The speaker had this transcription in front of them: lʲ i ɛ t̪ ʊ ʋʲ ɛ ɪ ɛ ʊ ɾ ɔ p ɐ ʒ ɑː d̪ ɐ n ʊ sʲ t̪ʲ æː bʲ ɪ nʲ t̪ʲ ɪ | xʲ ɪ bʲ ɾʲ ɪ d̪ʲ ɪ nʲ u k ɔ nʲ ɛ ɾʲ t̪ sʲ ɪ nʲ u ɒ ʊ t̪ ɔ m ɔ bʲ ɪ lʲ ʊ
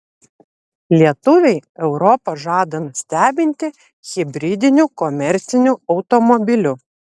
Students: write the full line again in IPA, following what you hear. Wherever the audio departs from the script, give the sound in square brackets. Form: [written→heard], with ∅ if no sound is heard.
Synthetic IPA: lʲ i ɛ t̪ ʊ ʋʲ ɛ ɪ ɛ ʊ ɾ ɔ p ɐ ʒ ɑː d̪ ɐ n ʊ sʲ t̪ʲ æː bʲ ɪ nʲ t̪ʲ ɪ | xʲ ɪ bʲ ɾʲ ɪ d̪ʲ ɪ nʲ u k ɔ [nʲ→mʲ] ɛ ɾʲ t̪ sʲ ɪ nʲ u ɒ ʊ t̪ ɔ m ɔ bʲ ɪ lʲ ʊ